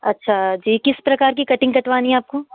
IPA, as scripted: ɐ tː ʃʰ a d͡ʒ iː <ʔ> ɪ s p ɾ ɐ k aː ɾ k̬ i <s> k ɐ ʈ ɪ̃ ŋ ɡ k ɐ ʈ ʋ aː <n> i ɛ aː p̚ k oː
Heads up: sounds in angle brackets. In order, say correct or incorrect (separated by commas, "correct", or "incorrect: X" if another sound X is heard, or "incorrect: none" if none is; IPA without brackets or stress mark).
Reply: incorrect: k, incorrect: none, correct